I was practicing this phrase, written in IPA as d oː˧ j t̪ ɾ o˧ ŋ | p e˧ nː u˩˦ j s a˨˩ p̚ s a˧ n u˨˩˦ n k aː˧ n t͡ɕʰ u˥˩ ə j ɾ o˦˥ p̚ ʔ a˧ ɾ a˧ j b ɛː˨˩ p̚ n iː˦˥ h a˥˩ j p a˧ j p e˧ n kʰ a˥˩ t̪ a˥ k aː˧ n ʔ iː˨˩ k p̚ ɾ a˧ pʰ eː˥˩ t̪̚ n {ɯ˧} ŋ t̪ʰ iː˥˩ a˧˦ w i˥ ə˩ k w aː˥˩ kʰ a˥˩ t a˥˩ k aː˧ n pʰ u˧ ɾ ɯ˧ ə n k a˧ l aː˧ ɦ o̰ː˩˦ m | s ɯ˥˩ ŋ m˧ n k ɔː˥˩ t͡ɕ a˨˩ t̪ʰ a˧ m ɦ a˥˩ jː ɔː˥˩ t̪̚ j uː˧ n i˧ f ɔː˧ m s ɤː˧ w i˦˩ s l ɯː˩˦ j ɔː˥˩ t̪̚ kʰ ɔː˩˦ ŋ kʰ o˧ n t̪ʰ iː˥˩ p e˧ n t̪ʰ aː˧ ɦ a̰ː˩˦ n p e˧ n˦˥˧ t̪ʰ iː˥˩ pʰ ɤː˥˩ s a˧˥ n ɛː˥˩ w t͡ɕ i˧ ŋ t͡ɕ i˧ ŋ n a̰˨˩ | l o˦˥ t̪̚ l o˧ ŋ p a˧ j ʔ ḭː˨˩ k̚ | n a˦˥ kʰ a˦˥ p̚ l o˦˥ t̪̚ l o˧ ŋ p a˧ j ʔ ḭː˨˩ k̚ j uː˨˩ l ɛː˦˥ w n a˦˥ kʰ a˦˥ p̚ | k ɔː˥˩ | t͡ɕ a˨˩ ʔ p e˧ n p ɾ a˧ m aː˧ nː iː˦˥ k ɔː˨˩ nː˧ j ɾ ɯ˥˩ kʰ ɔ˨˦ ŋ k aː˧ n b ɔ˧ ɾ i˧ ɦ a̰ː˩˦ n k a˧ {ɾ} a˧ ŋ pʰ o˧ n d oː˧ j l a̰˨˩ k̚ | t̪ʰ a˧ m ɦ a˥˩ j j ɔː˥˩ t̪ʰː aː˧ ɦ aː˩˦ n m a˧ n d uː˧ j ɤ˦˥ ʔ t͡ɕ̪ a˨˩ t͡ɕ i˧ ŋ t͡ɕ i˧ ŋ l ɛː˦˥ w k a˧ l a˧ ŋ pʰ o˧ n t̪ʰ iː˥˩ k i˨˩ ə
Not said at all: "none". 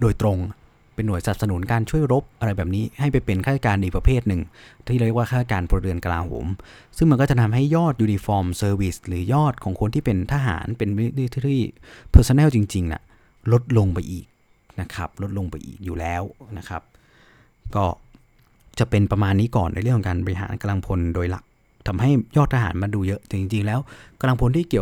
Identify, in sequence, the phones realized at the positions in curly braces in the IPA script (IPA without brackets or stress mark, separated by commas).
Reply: ɯ˨˩, l